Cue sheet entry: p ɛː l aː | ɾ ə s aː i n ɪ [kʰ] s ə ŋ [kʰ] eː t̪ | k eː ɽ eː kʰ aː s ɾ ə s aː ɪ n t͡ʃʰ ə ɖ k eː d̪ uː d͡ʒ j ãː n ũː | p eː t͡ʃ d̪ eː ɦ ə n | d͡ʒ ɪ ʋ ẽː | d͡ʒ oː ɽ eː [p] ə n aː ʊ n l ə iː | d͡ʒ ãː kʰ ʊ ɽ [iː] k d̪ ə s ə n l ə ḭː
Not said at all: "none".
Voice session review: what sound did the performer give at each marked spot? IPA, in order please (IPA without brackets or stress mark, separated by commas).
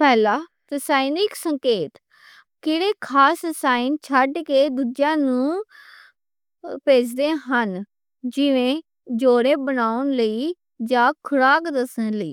k, k, b, aː